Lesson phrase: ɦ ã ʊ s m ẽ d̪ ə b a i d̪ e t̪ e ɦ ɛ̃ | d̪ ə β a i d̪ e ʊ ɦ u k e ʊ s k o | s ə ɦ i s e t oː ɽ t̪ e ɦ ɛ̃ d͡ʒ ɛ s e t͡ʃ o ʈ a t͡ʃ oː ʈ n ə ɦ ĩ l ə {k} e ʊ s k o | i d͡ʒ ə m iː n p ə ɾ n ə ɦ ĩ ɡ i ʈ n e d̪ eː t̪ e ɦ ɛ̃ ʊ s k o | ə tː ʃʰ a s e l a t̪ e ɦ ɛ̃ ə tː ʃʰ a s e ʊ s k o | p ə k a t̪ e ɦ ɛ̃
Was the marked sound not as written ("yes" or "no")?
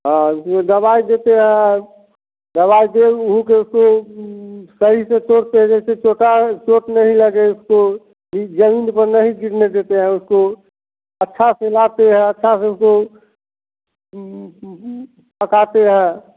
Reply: yes